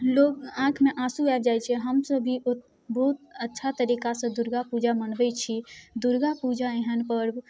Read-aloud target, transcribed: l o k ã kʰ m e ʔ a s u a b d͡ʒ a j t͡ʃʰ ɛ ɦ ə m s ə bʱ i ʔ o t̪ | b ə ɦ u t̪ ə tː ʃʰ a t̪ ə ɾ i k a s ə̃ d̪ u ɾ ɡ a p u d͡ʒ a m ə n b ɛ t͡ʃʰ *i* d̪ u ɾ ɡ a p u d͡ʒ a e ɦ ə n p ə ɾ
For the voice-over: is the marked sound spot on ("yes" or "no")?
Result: yes